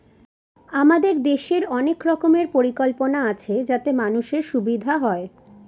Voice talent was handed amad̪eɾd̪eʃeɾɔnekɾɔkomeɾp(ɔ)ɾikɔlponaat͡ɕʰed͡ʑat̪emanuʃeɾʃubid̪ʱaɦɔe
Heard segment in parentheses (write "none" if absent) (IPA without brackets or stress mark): o